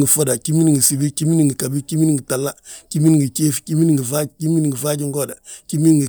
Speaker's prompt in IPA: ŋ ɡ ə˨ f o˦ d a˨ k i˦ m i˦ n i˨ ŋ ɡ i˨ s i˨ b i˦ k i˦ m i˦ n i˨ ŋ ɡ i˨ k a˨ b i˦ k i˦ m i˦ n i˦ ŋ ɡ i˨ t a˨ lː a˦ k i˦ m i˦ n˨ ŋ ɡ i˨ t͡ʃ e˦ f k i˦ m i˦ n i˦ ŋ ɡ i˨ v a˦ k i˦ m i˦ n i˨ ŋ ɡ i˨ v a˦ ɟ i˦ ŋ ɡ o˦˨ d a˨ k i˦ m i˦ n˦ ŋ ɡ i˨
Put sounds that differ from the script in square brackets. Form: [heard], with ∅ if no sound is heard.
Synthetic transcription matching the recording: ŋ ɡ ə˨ f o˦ d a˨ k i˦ m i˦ n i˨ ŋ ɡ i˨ s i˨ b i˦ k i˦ m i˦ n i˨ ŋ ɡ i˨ k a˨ b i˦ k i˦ m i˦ n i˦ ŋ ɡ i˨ t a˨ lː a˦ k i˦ m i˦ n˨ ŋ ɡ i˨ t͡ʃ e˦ f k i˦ m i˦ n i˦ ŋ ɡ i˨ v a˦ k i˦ m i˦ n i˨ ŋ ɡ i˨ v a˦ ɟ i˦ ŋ ɡ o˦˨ d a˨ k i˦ m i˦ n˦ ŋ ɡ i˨